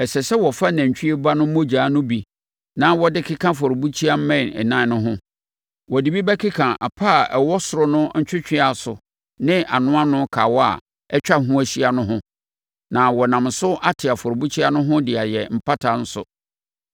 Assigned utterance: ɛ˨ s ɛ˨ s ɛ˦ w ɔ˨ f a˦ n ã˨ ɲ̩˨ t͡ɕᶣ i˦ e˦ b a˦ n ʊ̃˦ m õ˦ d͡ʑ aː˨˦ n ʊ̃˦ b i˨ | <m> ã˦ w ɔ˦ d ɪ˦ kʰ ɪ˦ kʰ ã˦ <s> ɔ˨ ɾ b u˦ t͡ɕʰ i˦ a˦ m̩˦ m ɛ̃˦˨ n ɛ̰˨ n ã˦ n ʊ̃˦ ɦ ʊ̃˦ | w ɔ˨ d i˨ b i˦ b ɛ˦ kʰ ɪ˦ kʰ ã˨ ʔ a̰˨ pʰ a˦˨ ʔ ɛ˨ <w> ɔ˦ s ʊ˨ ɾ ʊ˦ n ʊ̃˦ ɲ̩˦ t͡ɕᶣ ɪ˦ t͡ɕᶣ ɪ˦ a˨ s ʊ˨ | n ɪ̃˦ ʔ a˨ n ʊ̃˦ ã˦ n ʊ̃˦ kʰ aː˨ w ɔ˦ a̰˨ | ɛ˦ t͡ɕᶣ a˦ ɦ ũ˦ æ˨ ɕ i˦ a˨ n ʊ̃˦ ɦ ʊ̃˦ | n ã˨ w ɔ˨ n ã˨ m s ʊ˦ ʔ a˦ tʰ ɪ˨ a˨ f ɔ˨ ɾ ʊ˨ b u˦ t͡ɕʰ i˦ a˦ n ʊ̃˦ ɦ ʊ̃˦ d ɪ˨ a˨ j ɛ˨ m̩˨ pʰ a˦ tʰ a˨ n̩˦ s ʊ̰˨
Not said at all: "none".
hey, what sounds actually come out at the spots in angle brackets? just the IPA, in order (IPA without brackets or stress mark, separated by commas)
n, f, w